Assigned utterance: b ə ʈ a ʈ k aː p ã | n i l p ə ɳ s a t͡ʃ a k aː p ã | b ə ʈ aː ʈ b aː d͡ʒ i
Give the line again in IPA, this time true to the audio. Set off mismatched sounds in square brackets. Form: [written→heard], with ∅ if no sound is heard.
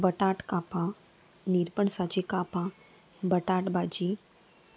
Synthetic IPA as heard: b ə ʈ a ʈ k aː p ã | n i [l→ɾ] p ə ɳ s a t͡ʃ [a→i] k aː p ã | b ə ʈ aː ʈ b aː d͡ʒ i